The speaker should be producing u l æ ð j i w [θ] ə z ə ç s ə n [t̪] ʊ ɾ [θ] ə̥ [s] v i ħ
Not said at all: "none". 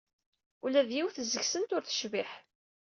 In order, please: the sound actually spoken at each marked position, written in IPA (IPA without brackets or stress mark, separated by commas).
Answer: θ, t̪, θ, ʃ